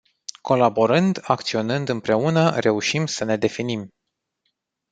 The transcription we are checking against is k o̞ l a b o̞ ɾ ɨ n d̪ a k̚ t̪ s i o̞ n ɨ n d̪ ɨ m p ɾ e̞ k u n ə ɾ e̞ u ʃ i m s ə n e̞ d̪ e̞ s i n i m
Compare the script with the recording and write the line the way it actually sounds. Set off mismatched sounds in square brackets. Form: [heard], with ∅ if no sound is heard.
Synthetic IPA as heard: k o̞ l a b o̞ ɾ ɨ n d̪ a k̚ t̪ s i o̞ n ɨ n d̪ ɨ m p ɾ e̞ [∅] u n ə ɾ e̞ u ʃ i m s ə n e̞ d̪ e̞ [f] i n i m